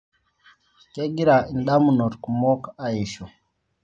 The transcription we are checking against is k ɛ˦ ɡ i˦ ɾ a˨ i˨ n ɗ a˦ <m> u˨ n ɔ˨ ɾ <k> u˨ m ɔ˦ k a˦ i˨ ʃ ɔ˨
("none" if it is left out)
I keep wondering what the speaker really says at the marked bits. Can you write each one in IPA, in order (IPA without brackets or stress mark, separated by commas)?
m, k